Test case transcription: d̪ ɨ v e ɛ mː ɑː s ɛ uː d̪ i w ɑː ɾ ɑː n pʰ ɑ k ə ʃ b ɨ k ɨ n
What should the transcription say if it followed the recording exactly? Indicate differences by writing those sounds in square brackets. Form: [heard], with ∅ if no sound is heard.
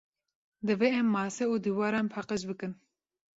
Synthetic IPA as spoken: d̪ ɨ v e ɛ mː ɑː s ɛ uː d̪ i w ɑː ɾ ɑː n pʰ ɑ [q] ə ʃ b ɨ k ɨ n

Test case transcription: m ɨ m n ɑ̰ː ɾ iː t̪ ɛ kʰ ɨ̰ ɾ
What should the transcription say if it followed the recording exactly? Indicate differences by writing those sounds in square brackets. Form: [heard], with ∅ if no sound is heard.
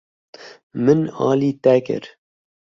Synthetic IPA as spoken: m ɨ [∅] n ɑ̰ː [l] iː t̪ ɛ [k] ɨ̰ ɾ

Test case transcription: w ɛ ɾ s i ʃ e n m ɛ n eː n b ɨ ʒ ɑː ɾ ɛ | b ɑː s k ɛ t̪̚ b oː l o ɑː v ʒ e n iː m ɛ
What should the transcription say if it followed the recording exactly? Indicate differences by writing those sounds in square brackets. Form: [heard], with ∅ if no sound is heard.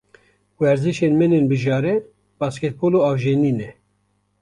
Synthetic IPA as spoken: w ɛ ɾ [z] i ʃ e n m ɛ n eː n b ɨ ʒ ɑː ɾ ɛ | b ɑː s k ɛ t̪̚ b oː l o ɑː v ʒ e n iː [n] ɛ

